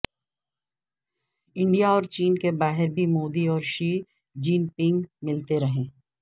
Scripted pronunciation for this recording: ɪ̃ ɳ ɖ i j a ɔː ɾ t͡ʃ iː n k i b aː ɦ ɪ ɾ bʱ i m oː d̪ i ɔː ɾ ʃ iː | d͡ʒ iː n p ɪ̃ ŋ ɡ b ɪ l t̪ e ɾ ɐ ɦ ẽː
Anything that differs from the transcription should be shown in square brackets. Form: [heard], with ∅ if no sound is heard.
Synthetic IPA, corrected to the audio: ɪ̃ ɳ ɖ i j a ɔː ɾ t͡ʃ iː n k [e] b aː ɦ ɪ ɾ bʱ i m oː d̪ i ɔː ɾ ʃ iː | d͡ʒ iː n p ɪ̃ ŋ ɡ [m] ɪ l t̪ e ɾ ɐ ɦ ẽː

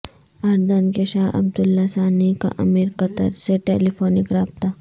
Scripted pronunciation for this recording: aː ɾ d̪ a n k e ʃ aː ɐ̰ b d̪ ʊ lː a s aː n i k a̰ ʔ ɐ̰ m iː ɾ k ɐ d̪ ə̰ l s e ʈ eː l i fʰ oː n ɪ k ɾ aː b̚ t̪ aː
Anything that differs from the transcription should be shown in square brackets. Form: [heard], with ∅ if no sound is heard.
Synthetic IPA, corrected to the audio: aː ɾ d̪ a n k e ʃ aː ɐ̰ b d̪ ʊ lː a s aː n i k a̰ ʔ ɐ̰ m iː ɾ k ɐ [t̪] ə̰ [ɾ] s e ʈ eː l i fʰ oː n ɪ k ɾ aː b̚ t̪ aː

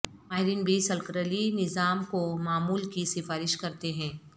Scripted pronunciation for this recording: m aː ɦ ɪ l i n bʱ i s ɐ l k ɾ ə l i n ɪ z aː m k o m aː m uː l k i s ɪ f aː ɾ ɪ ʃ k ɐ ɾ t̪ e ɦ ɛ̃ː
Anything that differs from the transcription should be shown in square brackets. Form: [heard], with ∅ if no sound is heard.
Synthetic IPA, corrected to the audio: m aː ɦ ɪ [ɾ] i n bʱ i s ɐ l k ɾ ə l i n ɪ z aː m k o m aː m uː l k i s ɪ f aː ɾ ɪ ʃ k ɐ ɾ t̪ e ɦ ɛ̃ː

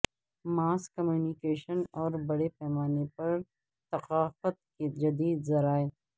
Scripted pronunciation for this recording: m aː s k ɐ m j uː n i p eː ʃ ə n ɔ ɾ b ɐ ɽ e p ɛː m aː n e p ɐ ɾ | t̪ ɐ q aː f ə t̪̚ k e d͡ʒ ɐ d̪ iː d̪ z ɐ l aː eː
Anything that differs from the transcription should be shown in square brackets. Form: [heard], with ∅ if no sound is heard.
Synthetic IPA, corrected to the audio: m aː s k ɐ m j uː n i [k] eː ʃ ə n [ɔː] ɾ b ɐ ɽ e p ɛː m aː n e p ɐ ɾ | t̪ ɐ q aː f ə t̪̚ k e d͡ʒ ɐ d̪ iː d̪ z ɐ [ɾ] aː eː

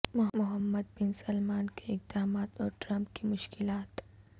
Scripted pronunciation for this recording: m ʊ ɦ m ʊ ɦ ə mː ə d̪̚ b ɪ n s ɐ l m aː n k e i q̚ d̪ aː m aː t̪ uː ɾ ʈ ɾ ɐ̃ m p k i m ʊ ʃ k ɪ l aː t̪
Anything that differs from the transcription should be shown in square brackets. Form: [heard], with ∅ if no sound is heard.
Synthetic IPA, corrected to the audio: m ʊ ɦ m ʊ ɦ ə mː ə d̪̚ b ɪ n s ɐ l m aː n k e [ɪ] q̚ d̪ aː m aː t̪ [ɔː] ɾ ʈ ɾ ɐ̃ m p k i m ʊ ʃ k ɪ l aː t̪

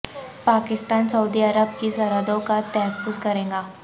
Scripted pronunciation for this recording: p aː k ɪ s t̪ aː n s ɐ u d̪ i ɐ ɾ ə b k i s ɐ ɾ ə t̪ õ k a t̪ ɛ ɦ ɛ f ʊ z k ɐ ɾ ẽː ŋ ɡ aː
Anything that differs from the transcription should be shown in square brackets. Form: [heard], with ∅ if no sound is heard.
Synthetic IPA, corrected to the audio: p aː k ɪ s t̪ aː n s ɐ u d̪ i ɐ ɾ ə b k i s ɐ ɾ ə [d̪] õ k a t̪ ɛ ɦ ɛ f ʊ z k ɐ ɾ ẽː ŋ ɡ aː

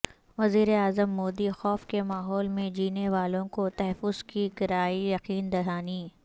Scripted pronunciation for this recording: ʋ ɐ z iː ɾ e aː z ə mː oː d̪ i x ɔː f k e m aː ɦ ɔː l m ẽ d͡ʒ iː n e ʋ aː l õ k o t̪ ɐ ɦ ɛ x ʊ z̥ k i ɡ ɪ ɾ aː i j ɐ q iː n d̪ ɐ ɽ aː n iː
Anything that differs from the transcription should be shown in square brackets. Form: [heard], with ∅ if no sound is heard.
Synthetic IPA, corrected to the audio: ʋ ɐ z iː ɾ e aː z ə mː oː d̪ i x ɔː f k e m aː ɦ ɔː l m ẽ d͡ʒ iː n e ʋ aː l õ k o t̪ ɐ ɦ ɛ [f] ʊ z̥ k i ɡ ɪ ɾ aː i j ɐ q iː n d̪ ɐ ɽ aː n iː

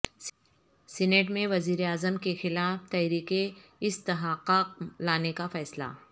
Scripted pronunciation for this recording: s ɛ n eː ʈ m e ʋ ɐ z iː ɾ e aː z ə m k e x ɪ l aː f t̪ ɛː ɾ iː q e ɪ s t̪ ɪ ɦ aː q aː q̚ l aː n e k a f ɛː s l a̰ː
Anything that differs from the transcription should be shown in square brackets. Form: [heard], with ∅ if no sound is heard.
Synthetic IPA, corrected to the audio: s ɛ n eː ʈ m [ẽ] ʋ ɐ z iː ɾ e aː z ə m k e x ɪ l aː f t̪ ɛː ɾ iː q e ɪ s t̪ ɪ ɦ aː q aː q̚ l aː n e k a f ɛː s l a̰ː

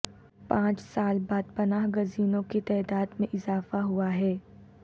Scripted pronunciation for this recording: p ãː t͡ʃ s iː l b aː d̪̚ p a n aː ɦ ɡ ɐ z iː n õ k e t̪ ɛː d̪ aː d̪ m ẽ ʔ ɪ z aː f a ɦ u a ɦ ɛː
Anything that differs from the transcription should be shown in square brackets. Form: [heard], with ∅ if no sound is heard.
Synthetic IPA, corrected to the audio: p ãː t͡ʃ s [aː] l b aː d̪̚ p [ɐ] n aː ɦ ɡ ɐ z iː n õ k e t̪ ɛː d̪ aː d̪ m ẽ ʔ ɪ z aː f a ɦ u a ɦ ɛː

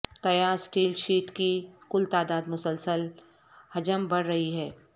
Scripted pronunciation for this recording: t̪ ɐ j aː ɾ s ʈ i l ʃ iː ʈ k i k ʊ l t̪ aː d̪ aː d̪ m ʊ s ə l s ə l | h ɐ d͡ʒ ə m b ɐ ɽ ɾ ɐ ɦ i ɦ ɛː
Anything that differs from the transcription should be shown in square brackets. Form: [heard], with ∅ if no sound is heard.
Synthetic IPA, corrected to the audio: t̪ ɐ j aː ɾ s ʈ [iː] l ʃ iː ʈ k i k ʊ l t̪ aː d̪ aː d̪ m ʊ s ə l s ə l | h ɐ d͡ʒ ə m b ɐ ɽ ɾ ɐ ɦ i ɦ ɛː

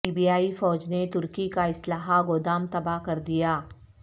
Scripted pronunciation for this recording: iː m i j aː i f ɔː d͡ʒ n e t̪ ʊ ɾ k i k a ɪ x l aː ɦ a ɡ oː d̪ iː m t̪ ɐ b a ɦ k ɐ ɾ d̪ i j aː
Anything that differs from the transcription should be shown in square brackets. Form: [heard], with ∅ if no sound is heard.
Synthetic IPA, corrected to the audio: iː [b] i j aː i f ɔː d͡ʒ n e t̪ ʊ ɾ k i k a ɪ [s] l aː ɦ a ɡ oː d̪ [aː] m t̪ ɐ b a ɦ k ɐ ɾ d̪ i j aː

